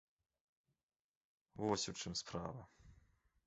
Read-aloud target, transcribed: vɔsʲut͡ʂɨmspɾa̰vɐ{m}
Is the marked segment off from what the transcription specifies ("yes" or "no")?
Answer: yes